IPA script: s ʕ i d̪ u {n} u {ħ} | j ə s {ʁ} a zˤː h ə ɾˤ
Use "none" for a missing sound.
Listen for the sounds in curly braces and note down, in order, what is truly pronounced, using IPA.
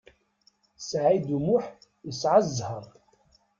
m, ħ, ʕ

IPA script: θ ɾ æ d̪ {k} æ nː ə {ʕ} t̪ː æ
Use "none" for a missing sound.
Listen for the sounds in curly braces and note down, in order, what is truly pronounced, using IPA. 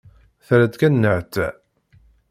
k, ʕ

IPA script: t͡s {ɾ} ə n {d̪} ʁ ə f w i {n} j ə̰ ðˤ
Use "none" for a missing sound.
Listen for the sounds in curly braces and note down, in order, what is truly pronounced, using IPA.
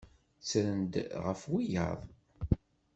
ɾ, d̪, none

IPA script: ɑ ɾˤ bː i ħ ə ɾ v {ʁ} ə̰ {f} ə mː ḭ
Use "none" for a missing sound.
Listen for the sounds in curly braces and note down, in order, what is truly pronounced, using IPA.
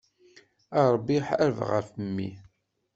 ʁ, f

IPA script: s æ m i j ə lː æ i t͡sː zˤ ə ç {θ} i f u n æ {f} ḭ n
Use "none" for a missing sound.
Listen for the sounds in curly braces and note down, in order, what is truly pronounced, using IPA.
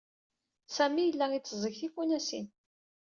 θ, s

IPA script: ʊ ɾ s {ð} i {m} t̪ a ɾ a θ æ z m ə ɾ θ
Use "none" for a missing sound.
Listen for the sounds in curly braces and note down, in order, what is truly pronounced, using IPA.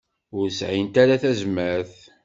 ʕ, n

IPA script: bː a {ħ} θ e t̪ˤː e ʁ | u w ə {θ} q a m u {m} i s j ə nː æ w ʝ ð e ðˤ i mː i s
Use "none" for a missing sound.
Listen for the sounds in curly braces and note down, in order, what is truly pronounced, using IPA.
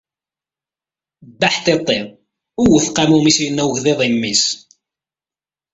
ħ, θ, m

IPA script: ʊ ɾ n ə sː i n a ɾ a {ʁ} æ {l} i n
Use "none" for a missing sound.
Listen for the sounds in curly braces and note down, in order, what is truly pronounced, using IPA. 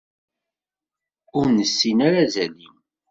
z, l

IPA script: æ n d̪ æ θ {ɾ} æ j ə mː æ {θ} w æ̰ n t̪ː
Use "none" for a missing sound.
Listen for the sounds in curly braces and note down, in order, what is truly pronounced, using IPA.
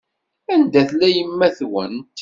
l, θ

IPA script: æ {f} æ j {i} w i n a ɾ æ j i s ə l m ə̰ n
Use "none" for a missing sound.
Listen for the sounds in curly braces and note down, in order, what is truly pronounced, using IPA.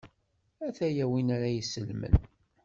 θ, æ

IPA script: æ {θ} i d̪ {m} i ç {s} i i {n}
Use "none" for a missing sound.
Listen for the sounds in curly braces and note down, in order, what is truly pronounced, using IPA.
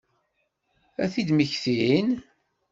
θ, m, θ, n

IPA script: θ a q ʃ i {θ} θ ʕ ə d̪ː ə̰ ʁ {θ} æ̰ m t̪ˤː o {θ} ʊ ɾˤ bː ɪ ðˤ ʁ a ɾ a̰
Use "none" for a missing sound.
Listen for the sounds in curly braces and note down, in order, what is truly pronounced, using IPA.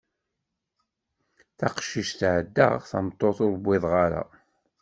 ʃ, θ, θ

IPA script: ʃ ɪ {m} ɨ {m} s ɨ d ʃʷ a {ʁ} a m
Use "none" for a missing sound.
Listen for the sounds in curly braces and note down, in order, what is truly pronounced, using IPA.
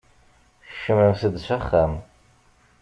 m, m, χ

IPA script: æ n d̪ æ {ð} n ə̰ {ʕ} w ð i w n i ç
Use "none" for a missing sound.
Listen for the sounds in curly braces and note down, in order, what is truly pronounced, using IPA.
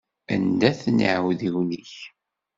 θ, ʕ

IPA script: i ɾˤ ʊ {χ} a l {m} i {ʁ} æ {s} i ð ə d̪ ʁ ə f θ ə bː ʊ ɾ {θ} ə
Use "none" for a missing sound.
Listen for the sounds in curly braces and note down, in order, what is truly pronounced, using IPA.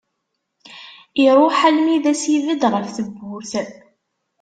ħ, m, ð, s, θ

